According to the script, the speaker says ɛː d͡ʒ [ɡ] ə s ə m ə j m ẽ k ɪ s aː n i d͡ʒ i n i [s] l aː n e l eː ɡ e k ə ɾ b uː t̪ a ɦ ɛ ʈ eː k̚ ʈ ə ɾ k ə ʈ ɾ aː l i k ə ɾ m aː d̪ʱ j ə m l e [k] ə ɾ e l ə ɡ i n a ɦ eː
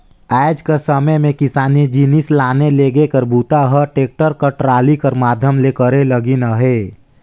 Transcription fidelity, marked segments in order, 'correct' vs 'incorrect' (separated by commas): incorrect, correct, correct